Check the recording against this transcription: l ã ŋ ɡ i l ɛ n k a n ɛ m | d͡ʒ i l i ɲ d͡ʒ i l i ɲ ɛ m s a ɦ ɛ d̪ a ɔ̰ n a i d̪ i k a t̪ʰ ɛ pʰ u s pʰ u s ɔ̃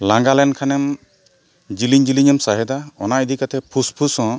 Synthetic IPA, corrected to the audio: l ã ŋ ɡ a l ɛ n kʰ a n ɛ m | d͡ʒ i l i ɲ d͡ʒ i l i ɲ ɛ m s a ɦ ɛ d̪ a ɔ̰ n a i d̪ i k a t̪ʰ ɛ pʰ u s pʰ u s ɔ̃